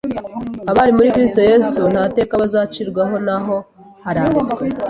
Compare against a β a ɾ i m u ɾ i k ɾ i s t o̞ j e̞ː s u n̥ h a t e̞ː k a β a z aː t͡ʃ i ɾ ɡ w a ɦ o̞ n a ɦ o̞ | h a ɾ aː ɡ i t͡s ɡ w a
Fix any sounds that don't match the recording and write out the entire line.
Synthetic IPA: a β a ɾ i m u ɾ i k ɾ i s t o̞ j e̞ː s u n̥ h a t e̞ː k a β a z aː t͡ʃ i ɾ ɡ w a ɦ o̞ n a ɦ o̞ | h a ɾ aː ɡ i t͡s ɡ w e